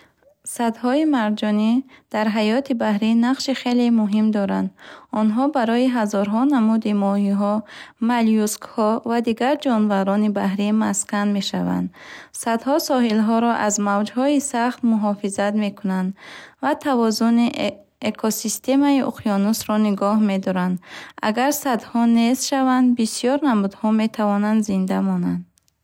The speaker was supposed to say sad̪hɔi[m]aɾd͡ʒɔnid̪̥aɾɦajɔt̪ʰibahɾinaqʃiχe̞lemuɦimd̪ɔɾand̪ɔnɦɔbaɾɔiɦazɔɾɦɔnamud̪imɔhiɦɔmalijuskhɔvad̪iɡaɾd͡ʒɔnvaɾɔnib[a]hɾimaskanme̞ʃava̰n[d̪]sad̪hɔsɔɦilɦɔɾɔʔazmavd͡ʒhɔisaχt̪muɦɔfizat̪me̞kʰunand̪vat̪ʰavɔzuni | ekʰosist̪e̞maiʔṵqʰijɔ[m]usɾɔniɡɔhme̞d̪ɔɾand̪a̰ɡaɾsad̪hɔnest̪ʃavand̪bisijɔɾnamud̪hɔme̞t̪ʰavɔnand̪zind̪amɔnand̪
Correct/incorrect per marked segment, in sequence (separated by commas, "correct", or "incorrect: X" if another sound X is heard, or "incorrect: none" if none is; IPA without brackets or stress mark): correct, correct, correct, incorrect: n